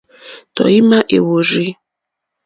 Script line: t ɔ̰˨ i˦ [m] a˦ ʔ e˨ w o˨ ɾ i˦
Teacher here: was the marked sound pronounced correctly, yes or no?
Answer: yes